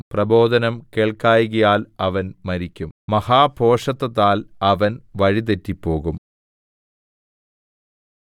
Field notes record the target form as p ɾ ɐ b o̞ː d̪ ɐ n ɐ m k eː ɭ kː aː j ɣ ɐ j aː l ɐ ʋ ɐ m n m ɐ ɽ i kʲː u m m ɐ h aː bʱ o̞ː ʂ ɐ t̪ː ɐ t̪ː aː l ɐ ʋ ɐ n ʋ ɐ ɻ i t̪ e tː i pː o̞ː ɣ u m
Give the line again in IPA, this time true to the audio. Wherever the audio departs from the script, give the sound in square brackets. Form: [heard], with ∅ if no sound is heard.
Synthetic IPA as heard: p [r] ɐ b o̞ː d̪ ɐ n ɐ m k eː ɭ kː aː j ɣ ɐ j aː l ɐ ʋ ɐ [∅] n m ɐ [ɾ] i kʲː u m m ɐ h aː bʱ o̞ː ʂ ɐ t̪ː ɐ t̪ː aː l ɐ ʋ ɐ n ʋ ɐ ɻ i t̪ e tː i pː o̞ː ɣ u m